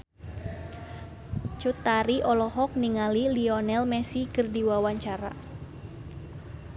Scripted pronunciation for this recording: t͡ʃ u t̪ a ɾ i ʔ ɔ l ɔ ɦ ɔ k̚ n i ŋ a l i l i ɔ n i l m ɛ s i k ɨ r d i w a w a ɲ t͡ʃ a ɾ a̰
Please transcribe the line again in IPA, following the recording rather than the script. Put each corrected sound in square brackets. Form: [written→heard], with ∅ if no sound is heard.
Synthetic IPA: t͡ʃ u t̪ a ɾ i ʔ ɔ l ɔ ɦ ɔ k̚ n i ŋ a l i l i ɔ n [i→ɛ] l m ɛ s i k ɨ r d i w a w a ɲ t͡ʃ a ɾ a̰